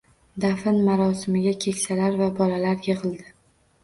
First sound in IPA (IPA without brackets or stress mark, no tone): d̪